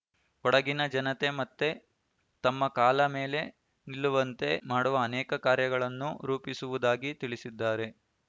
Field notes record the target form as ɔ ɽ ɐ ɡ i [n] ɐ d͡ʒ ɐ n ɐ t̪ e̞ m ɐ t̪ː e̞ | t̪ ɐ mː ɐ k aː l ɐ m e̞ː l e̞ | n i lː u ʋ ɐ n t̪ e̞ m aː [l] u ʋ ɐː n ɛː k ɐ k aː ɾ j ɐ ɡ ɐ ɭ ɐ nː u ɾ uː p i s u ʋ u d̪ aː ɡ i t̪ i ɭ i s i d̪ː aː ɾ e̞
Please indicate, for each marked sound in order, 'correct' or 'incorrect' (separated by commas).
correct, incorrect